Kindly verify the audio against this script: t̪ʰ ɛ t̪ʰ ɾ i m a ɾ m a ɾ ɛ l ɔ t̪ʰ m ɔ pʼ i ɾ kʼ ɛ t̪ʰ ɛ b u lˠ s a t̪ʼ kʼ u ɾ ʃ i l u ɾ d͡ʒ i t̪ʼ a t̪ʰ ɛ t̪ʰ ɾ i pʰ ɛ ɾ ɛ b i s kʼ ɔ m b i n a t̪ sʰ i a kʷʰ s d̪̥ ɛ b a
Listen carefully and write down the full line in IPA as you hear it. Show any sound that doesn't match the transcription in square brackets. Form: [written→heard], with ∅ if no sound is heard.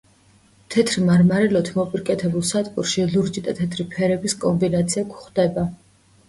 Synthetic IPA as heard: t̪ʰ ɛ t̪ʰ ɾ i m a ɾ m a ɾ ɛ l ɔ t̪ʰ m ɔ pʼ i ɾ kʼ ɛ t̪ʰ ɛ b u lˠ s a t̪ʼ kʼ u ɾ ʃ i l u ɾ d͡ʒ i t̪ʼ a t̪ʰ ɛ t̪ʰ ɾ i pʰ ɛ ɾ ɛ b i s kʼ ɔ m b i n a t̪ sʰ i a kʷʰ [s→χ] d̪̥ ɛ b a